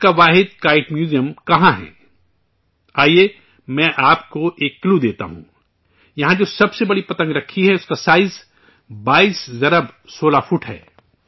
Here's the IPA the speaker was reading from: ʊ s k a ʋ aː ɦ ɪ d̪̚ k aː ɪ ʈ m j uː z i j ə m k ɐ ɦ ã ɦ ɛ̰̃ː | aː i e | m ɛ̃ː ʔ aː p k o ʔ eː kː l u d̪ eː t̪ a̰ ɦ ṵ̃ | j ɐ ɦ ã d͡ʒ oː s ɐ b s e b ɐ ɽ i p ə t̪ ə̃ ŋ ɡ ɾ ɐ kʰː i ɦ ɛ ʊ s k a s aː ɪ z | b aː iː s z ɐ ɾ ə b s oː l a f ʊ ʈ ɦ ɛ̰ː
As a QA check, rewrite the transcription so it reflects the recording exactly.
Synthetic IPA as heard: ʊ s k a ʋ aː ɦ ɪ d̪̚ k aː ɪ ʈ m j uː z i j ə m k ɐ ɦ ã ɦ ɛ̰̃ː | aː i e | m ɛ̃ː ʔ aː p k o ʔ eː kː l u d̪ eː t̪ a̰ ɦ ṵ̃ | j ɐ ɦ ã d͡ʒ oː s ɐ b s e b ɐ ɽ i p ɐ t̪ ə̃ ŋ ɡ ɾ ɐ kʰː i ɦ ɛ ʊ s k a s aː ɪ z | b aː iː s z ɐ ɾ ə b s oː l a f ʊ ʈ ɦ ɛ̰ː